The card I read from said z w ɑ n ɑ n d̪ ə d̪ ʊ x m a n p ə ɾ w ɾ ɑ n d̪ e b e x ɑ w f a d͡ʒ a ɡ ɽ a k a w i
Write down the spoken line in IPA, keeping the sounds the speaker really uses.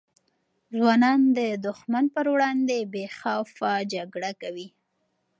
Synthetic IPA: z w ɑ n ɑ n d̪ ə d̪ ʊ x m a n p ə ɾ w ɽ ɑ n d̪ e b e x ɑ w f a d͡ʒ a ɡ ɽ a k a w i

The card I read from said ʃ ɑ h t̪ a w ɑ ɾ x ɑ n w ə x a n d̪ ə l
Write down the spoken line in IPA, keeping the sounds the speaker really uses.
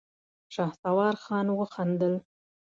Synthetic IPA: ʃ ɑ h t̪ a w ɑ ɾ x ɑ n w ə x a n d̪ ə l

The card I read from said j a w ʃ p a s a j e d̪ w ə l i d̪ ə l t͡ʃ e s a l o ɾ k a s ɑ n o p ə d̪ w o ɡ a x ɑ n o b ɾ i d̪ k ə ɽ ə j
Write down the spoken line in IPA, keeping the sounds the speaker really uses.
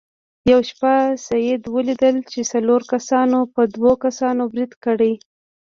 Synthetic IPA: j a w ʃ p a s a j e d̪ w ə l i d̪ ə l t͡ʃ e s a l o ɾ k a s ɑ n o p ə d̪ w o k a s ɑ n o b ɾ i d̪ k ə ɽ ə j

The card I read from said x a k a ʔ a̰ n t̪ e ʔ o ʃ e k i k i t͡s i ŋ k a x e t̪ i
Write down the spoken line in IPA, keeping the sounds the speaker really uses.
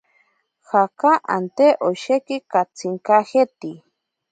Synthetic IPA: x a k a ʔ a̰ n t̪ e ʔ o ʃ e k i k a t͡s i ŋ k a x e t̪ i

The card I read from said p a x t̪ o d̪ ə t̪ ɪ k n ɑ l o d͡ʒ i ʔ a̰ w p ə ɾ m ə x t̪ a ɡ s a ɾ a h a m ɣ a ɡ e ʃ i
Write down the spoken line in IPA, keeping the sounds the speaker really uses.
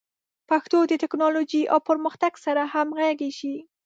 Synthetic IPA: p a x t̪ o d̪ ə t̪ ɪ k n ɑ l o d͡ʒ i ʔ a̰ w p ə ɾ m ə x t̪ a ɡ s a ɾ a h a m ɣ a ɡ e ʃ i

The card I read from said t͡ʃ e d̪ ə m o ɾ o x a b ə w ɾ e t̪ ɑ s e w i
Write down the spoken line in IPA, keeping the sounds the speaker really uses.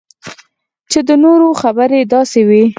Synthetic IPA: t͡ʃ e d̪ ə n o ɾ o x a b ə ɾ e d̪ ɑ s e w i

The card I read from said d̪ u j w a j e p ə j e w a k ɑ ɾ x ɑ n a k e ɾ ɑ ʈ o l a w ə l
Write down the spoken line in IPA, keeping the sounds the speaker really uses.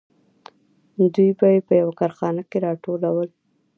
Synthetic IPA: d̪ u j b a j e p ə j a w a k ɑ ɾ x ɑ n a k e ɾ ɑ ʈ o l a w ə l

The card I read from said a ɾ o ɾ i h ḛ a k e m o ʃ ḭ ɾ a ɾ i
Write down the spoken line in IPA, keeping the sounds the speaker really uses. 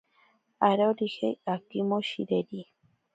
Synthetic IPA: a ɾ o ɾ i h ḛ a k i m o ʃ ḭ ɾ e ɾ i

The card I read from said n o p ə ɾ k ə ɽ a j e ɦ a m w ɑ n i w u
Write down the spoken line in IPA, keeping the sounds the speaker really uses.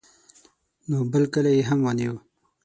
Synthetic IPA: n o b ə l k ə l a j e ɦ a m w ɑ n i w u

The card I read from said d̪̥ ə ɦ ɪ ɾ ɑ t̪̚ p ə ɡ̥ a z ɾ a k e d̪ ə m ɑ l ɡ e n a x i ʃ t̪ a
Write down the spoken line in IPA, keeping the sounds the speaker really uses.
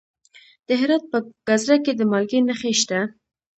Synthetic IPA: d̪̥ ə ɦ ɪ ɾ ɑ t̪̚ p ə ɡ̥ a z ɾ a k e d̪ ə m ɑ l ɡ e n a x e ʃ t̪ a

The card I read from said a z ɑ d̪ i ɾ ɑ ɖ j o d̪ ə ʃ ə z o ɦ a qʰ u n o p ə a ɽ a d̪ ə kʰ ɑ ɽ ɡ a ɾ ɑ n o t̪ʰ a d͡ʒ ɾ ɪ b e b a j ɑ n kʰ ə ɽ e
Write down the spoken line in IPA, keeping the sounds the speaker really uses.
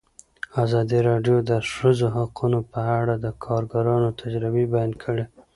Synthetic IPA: a z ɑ d̪ i ɾ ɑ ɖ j o d̪ ə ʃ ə z o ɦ a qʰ u n o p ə a ɽ a d̪ ə kʰ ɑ ɾ ɡ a ɾ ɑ n o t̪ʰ a d͡ʒ ɾ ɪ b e b a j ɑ n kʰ ə ɽ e

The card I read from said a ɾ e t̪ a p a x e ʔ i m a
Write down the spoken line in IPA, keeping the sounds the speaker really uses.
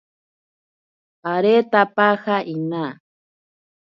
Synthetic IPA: a ɾ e t̪ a p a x a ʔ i n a

